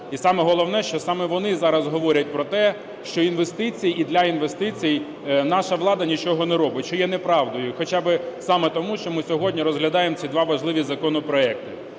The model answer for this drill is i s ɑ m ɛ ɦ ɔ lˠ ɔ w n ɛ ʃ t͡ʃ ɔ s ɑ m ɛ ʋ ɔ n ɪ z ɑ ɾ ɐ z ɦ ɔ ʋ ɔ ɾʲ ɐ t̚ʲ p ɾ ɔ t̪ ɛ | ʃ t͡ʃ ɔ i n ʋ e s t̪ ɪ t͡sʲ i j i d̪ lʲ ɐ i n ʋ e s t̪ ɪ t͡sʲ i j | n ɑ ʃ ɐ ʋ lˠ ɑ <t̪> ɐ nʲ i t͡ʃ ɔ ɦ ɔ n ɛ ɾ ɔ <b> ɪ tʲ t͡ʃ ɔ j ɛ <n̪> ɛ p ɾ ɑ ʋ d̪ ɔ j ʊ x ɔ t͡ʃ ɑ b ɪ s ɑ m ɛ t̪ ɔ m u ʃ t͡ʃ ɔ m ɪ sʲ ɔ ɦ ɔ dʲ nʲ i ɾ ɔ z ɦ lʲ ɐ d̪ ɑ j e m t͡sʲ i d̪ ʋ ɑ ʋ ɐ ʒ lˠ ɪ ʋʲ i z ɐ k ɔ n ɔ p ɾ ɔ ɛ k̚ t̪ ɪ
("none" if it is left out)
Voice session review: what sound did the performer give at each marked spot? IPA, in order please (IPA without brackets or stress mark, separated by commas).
d̪, b, n̪